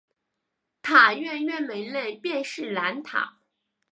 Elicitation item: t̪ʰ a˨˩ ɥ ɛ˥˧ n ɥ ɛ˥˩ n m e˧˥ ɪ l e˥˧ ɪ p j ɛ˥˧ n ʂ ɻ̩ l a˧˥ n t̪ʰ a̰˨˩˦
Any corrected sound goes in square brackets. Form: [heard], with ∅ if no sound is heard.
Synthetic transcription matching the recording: t̪ʰ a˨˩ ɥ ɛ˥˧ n ɥ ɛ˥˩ n m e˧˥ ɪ l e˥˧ ɪ p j ɛ˥˧ n ʂ ɻ̩ l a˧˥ n t̪ʰ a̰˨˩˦

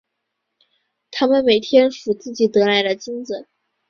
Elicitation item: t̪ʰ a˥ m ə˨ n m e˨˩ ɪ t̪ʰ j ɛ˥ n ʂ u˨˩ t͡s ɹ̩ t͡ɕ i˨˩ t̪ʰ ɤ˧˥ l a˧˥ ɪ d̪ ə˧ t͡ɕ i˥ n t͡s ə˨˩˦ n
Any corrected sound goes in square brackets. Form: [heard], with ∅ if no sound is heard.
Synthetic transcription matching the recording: t̪ʰ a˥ m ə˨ n m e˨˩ ɪ t̪ʰ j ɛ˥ n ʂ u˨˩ t͡s ɹ̩ t͡ɕ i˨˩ [t̪] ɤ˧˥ l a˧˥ ɪ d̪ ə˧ t͡ɕ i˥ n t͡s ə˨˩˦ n

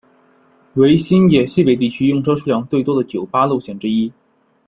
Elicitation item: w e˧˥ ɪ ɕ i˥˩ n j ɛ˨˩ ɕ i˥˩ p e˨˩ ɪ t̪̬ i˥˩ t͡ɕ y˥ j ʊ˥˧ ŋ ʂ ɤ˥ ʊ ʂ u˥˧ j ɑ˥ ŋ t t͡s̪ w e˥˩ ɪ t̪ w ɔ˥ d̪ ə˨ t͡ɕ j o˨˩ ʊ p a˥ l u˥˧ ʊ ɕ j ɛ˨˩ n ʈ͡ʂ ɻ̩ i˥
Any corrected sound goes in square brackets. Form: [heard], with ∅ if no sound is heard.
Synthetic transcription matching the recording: w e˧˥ ɪ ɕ [i˥] n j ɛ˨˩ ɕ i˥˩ p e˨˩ ɪ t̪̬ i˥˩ [t͡ɕʰ] y˥ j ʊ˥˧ ŋ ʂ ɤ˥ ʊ ʂ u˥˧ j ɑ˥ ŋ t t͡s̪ w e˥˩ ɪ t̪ w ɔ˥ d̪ ə˨ t͡ɕ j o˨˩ ʊ p a˥ l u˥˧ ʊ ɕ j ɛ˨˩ n ʈ͡ʂ ɻ̩ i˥

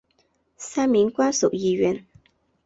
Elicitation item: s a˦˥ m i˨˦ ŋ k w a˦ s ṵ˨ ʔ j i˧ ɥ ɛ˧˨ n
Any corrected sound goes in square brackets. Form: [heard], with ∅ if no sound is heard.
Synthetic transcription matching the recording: s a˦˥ m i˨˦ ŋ k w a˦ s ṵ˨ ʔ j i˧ ɥ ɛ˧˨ n

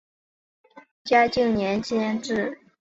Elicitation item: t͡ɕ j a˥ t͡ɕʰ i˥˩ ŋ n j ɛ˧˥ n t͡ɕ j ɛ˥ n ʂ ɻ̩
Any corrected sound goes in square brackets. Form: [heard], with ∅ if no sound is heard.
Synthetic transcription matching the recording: t͡ɕ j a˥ [t͡ɕ] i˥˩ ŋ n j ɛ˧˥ n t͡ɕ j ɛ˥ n [ʈ͡ʂ] ɻ̩

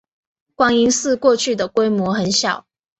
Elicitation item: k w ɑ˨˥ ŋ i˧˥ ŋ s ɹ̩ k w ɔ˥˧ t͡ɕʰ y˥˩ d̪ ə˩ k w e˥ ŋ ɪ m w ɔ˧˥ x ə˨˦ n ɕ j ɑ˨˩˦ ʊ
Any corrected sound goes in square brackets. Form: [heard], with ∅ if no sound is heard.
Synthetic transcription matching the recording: k w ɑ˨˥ ŋ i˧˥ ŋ s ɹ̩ k w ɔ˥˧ t͡ɕʰ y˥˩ d̪ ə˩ k w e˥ [∅] ɪ m w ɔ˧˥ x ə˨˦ n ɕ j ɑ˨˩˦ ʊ

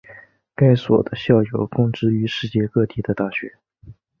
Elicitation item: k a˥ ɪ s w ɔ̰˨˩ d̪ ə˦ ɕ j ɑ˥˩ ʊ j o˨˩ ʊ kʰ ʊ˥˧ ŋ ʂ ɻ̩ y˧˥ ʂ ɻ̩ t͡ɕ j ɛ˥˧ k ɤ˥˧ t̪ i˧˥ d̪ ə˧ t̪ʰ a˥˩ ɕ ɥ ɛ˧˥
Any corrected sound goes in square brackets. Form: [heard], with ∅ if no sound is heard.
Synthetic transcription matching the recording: k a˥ ɪ s w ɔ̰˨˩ d̪ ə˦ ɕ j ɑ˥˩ ʊ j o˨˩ ʊ [k] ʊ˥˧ ŋ [ʈ͡ʂ] ɻ̩ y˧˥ ʂ ɻ̩ t͡ɕ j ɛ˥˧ k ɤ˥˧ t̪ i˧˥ d̪ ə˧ [t̪] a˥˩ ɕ ɥ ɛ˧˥

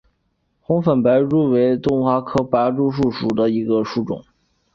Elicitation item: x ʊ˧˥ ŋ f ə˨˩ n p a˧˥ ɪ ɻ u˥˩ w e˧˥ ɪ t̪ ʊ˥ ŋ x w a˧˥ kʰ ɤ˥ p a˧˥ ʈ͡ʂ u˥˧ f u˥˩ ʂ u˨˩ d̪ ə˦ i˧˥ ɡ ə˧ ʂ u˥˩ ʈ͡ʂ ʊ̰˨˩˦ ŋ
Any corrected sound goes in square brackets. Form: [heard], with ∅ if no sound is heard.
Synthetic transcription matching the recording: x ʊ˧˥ ŋ f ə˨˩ n p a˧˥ ɪ ɻ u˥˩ w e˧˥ ɪ t̪ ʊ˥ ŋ x w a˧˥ kʰ ɤ˥ p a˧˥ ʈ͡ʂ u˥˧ [ʂ] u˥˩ ʂ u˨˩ d̪ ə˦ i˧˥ ɡ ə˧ ʂ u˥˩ ʈ͡ʂ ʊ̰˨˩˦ ŋ

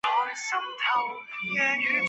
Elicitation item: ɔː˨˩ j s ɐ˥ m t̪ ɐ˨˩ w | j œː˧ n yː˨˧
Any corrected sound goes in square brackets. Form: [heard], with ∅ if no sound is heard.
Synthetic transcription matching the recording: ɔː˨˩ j s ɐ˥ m [t̪ʰ] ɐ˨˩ w | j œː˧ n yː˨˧

